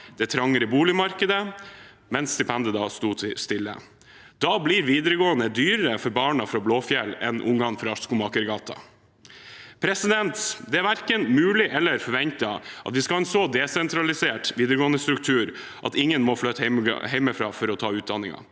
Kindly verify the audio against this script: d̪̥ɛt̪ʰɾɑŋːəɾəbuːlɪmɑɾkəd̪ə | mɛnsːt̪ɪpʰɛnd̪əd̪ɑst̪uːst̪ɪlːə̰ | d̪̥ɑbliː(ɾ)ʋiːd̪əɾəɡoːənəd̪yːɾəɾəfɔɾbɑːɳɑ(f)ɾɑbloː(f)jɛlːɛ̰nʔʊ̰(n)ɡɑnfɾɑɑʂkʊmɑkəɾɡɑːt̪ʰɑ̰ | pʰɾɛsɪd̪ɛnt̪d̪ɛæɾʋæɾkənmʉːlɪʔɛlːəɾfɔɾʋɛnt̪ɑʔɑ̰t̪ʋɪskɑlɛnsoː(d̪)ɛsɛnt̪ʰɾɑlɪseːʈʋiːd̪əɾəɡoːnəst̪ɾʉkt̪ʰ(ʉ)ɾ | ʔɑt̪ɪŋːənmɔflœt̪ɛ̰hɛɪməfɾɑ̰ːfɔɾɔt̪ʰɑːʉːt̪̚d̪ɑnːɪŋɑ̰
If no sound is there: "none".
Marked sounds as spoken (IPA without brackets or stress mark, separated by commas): ɾ, f, f, ŋ, d̪, ʉː